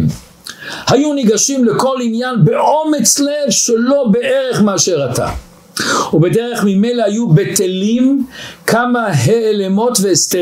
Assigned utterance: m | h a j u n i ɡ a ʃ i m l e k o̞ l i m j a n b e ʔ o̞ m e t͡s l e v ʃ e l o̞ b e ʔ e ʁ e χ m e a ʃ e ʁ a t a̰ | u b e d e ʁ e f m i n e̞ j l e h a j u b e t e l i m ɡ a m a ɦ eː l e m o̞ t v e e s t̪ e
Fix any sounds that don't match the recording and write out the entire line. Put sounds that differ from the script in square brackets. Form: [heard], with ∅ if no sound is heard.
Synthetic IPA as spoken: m | h a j u n i ɡ a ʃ i m l e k o̞ l i [n] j a n b e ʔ o̞ m e t͡s l e v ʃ e l o̞ b e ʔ e ʁ e χ m e a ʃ e ʁ a t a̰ | u b e d e ʁ e [χ] m i [m] e̞ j l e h a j u b e t e l i m [k] a m a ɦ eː l e m o̞ t v e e s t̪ e